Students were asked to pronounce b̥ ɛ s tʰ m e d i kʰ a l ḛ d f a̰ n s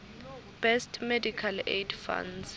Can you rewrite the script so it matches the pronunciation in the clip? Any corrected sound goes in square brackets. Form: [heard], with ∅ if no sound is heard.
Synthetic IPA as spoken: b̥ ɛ s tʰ m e d i kʰ a l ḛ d f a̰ n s